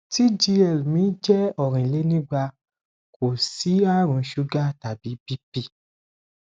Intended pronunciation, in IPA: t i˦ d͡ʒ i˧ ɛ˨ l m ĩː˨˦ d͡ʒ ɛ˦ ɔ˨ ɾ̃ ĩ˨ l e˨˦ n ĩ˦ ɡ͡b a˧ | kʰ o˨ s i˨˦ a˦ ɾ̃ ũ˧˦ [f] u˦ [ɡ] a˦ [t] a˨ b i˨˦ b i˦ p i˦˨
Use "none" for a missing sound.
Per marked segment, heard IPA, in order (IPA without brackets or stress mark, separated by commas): ʃ, ɡ, t